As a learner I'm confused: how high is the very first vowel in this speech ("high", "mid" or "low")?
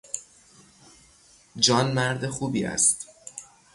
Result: low